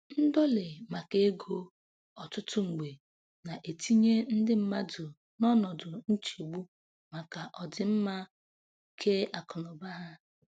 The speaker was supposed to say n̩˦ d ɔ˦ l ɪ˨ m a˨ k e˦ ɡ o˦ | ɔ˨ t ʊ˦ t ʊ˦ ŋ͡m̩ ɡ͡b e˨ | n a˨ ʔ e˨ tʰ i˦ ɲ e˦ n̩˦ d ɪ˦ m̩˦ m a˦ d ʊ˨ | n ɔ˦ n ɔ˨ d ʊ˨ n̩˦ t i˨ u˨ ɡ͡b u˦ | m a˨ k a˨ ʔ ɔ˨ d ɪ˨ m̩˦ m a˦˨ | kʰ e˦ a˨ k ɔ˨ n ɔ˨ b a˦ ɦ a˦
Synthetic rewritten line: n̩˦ d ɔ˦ l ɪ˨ m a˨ k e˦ ɡ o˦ | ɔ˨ t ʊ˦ t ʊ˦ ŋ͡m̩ ɡ͡b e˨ | n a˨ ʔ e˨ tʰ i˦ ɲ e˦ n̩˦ d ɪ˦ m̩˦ m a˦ d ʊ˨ | n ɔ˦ n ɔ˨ d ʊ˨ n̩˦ t͡ʃ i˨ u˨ ɡ͡b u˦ | m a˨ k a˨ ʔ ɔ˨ d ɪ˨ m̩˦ m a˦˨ | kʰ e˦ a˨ k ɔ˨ n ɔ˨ b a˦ ɦ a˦